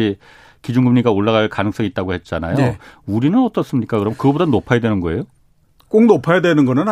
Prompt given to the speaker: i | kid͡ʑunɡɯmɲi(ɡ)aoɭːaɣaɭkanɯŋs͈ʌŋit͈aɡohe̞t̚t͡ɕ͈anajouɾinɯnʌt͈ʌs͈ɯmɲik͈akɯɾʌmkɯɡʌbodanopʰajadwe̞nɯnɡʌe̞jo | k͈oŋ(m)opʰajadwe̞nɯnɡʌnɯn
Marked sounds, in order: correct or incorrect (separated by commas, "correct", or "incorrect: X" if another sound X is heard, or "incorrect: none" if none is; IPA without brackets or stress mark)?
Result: correct, incorrect: n